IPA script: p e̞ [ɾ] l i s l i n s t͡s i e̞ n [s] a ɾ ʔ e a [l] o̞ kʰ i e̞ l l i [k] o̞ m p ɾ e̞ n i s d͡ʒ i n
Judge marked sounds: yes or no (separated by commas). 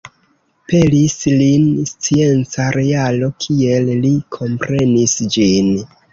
no, no, yes, no